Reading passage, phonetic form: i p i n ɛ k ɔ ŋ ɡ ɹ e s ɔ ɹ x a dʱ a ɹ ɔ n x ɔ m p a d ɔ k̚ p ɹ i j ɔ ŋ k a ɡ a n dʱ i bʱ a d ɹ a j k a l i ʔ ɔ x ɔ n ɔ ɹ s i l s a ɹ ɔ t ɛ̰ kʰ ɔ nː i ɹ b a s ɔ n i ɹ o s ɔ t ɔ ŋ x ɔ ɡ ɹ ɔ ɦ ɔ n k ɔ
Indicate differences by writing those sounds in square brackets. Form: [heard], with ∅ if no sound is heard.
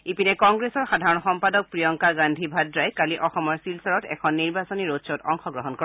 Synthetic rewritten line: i p i n ɛ k ɔ ŋ ɡ ɹ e s ɔ ɹ x a dʱ a ɹ ɔ n x ɔ m p a d ɔ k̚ p ɹ i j ɔ ŋ k a ɡ a n dʱ i bʱ a d ɹ a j k a l i ʔ ɔ x ɔ [m] ɔ ɹ s i l s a ɹ ɔ t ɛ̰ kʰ ɔ nː i ɹ b a s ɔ n i ɹ o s ɔ t ɔ ŋ x ɔ ɡ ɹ ɔ ɦ ɔ n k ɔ